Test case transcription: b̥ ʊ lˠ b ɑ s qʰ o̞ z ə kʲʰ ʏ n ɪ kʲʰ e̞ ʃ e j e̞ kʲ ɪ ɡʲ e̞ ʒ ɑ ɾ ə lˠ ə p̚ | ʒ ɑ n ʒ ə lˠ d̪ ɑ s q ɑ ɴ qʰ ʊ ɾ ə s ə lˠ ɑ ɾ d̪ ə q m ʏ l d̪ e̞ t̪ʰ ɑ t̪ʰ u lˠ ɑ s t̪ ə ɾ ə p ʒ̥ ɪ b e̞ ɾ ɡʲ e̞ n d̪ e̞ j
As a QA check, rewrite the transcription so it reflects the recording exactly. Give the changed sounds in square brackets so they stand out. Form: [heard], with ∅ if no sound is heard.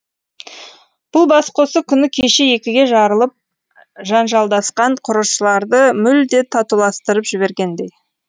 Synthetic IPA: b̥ ʊ lˠ b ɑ s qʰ o̞ [s] ə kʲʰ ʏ n ɪ kʲʰ e̞ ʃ e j e̞ kʲ ɪ ɡʲ e̞ ʒ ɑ ɾ ə lˠ ə p̚ | ʒ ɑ n ʒ [ɑ] lˠ d̪ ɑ s q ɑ ɴ qʰ ʊ ɾ ə [ʃ] ə lˠ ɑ ɾ d̪ ə [∅] m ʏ l d̪ e̞ t̪ʰ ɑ [t̪] u lˠ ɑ s t̪ ə ɾ ə p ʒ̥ ɪ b e̞ ɾ ɡʲ e̞ n d̪ e̞ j